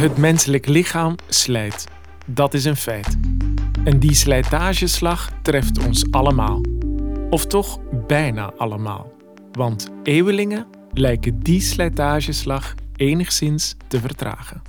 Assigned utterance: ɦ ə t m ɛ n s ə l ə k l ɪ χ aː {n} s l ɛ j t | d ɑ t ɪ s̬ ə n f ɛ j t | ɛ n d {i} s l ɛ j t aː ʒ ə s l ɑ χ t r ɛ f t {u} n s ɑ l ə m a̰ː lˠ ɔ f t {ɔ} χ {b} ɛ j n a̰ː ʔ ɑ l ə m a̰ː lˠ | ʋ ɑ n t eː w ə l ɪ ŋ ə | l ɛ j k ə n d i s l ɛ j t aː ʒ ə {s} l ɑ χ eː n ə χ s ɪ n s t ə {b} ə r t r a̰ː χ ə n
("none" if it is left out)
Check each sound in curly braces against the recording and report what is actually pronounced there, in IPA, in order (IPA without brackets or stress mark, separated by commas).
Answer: m, i, ɔ, ɔ, b, s, v